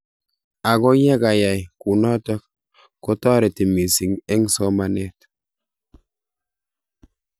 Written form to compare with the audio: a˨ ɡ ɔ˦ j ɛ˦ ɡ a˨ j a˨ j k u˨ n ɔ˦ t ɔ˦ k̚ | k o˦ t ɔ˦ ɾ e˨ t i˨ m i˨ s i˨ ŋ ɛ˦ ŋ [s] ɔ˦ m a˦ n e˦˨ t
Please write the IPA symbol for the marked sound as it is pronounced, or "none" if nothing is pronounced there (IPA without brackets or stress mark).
s